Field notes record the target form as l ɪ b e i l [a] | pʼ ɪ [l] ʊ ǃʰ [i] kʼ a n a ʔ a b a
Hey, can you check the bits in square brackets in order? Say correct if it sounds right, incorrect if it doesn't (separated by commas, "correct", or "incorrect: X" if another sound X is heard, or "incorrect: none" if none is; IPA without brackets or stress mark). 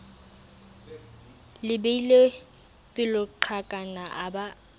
incorrect: e, correct, incorrect: a